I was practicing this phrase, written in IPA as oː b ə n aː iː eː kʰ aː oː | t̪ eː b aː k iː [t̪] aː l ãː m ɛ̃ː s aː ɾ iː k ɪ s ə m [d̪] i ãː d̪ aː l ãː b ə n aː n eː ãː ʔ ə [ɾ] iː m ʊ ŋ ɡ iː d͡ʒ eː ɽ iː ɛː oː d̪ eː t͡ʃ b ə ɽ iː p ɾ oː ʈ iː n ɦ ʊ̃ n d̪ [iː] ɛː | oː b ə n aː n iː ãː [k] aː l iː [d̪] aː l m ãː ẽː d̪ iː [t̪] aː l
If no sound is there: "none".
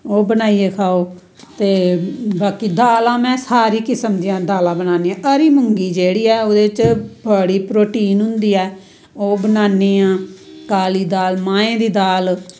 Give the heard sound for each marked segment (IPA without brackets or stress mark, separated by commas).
d̪, d̪, ɾ, iː, k, d̪, d̪